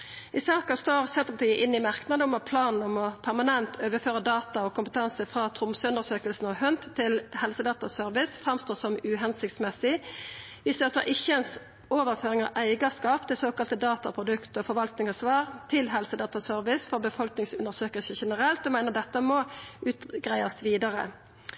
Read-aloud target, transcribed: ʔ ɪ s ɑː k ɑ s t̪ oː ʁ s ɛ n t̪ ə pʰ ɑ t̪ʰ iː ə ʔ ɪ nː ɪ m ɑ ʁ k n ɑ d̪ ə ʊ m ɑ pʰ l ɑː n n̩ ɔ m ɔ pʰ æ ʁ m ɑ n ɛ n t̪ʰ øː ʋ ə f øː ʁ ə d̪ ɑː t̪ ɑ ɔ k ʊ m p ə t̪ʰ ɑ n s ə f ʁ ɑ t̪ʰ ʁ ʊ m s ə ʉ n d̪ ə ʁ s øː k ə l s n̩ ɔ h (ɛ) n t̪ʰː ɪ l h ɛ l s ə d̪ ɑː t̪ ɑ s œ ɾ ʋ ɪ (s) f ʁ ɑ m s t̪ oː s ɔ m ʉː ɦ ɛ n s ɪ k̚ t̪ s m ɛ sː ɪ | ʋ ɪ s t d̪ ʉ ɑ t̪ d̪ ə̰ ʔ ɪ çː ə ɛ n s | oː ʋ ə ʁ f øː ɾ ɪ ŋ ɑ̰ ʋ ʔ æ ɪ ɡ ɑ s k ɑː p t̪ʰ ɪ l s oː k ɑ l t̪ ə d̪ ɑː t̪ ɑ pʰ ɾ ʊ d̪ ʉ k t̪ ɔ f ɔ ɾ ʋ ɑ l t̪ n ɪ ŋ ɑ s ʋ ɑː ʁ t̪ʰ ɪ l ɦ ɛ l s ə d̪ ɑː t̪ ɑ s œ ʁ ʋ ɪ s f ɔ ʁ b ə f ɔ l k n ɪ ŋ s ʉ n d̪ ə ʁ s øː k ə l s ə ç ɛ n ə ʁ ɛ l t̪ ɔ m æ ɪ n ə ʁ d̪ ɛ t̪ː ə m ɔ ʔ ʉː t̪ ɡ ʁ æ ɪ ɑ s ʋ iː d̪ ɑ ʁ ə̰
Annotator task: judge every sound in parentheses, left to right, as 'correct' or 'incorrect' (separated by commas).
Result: incorrect, correct